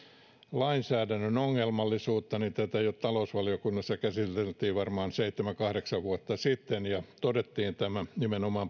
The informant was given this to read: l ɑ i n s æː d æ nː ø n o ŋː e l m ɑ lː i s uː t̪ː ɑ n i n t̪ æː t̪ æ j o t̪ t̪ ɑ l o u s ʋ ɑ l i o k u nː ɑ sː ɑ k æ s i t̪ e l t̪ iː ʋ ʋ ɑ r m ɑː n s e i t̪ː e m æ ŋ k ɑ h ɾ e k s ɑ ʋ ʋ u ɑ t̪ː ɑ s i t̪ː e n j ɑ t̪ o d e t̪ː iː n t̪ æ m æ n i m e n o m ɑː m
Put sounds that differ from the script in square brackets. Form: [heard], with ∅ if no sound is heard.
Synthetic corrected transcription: l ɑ i n s æː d æ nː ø n o ŋː e l m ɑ lː i s uː t̪ː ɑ n i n t̪ [æ] t̪ æ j o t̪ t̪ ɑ l o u s ʋ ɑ l i o k u nː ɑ sː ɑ k æ s i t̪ e l t̪ iː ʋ ʋ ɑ r m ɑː n s e i t̪ː e m æ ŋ k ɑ h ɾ e k s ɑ ʋ ʋ u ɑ t̪ː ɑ s i t̪ː e n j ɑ t̪ o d e t̪ː iː n t̪ æ m æ n i m e n o m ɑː m